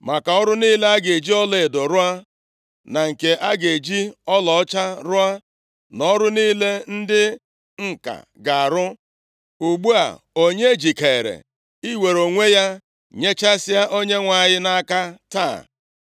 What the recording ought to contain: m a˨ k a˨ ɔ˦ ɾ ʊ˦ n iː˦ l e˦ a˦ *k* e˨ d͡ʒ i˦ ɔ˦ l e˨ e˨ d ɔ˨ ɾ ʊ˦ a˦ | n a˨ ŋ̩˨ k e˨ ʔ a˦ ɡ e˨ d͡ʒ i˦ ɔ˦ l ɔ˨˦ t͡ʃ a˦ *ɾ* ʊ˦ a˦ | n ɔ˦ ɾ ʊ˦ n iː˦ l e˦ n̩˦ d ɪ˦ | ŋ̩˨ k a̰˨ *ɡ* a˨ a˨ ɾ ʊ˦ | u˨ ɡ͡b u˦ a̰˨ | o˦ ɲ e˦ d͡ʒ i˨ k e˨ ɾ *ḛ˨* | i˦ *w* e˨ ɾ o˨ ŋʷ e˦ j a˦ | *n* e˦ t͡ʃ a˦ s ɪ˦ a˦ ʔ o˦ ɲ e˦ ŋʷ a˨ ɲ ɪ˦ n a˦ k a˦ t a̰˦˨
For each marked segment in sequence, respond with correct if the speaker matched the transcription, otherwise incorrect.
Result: incorrect, correct, correct, correct, correct, incorrect

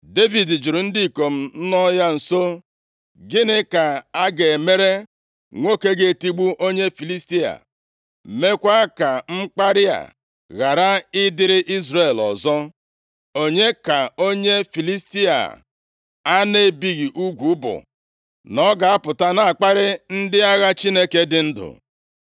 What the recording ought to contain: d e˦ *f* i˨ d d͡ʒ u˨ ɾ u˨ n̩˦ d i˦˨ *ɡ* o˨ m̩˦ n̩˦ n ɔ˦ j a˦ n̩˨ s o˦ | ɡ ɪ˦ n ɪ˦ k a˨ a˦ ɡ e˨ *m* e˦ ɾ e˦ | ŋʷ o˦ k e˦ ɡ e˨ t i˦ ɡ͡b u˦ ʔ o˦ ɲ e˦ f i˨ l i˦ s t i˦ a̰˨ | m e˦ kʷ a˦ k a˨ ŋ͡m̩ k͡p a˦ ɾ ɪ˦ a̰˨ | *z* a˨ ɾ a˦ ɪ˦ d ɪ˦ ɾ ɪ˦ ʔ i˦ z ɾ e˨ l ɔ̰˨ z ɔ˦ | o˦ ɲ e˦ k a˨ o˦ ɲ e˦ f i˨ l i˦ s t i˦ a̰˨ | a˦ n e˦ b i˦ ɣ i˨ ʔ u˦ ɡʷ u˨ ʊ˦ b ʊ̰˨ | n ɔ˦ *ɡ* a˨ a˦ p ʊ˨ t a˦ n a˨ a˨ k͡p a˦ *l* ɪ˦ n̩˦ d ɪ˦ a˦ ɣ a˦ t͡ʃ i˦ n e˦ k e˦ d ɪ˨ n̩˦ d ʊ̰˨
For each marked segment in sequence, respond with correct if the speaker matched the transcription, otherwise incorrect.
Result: incorrect, incorrect, correct, incorrect, correct, incorrect

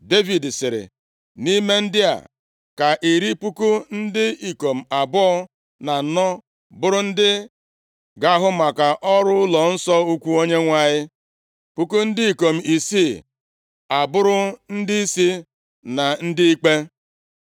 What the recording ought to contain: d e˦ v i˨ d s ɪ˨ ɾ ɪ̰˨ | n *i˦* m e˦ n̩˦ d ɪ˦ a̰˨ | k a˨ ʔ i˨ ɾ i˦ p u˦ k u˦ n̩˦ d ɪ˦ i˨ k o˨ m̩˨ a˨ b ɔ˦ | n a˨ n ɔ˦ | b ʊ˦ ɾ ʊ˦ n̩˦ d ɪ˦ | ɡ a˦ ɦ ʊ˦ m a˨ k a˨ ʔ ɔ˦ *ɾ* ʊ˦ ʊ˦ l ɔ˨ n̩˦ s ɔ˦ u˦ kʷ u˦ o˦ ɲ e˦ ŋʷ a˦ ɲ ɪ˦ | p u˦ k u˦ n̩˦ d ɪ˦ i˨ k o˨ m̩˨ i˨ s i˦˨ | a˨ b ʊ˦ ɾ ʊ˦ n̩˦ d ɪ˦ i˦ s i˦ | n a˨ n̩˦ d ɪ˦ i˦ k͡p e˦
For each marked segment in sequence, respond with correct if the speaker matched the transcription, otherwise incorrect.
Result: correct, correct

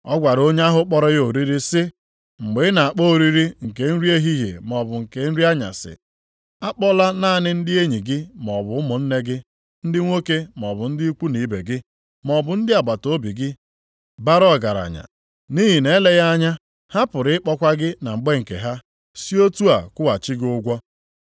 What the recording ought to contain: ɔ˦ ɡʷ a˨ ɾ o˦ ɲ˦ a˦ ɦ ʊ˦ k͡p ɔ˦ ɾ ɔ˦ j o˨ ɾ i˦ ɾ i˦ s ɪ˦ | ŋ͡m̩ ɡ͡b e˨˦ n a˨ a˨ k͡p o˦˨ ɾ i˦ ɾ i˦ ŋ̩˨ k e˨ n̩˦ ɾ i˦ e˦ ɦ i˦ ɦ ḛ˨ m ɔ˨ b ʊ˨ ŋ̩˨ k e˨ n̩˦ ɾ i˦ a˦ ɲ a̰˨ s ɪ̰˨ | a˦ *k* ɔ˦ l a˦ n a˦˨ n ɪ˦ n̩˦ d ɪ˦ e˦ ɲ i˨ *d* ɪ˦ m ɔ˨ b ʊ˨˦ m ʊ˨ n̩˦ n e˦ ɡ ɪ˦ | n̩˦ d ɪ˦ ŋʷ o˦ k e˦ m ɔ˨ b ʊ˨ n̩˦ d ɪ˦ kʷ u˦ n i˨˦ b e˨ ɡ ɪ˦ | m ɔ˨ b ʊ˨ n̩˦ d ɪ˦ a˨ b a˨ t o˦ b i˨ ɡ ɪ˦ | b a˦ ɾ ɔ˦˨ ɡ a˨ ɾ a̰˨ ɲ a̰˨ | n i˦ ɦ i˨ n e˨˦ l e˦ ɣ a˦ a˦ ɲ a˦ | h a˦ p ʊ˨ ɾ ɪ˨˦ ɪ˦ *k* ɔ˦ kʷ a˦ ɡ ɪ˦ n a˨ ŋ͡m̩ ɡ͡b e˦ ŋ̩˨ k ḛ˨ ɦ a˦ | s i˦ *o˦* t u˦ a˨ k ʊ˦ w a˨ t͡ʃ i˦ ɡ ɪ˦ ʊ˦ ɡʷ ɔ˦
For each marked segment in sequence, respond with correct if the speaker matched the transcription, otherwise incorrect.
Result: incorrect, incorrect, incorrect, correct

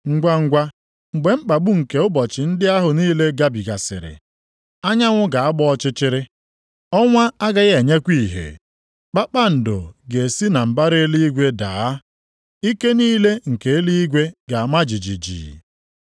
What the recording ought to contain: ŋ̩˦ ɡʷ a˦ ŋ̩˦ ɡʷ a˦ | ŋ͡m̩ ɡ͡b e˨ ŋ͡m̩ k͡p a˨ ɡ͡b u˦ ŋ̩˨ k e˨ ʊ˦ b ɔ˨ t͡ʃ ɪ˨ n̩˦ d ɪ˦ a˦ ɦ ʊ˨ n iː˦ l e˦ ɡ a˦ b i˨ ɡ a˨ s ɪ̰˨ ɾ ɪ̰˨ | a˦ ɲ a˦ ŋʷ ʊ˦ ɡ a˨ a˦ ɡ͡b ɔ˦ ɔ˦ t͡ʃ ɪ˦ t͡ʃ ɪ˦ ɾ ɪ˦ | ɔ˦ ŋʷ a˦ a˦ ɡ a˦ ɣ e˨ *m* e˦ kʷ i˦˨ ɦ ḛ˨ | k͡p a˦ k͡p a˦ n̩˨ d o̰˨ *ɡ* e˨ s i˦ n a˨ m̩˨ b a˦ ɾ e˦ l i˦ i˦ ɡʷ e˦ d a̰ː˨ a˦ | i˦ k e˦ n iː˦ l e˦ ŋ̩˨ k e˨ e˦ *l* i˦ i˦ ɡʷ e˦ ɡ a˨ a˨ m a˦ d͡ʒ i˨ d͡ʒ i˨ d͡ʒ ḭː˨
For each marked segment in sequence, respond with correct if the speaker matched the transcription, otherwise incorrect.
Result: incorrect, correct, correct

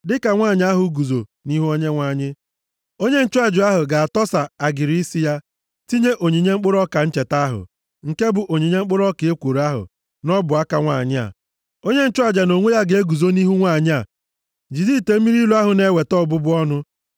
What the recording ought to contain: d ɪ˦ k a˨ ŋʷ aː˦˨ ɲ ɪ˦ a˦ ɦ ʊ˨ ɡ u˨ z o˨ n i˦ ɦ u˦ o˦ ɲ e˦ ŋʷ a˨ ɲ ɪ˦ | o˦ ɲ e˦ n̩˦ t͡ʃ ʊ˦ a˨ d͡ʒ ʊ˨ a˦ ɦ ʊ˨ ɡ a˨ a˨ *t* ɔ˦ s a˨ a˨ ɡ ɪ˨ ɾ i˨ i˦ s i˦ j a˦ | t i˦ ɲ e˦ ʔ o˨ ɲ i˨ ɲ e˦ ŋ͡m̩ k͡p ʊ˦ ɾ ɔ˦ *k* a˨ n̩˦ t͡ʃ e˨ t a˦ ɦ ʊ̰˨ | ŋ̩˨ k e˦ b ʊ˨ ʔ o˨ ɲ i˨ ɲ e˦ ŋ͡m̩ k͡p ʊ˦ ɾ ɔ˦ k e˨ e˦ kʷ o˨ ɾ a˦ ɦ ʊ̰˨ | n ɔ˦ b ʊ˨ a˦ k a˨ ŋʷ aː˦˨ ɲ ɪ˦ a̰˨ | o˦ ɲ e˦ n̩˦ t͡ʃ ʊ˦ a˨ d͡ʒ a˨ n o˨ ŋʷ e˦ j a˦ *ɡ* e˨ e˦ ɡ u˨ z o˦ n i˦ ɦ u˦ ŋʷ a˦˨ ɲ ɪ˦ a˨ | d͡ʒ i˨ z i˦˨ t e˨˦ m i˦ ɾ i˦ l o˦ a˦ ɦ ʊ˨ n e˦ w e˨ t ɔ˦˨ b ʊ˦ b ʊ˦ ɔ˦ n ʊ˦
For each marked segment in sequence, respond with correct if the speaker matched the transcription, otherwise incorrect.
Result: correct, correct, correct

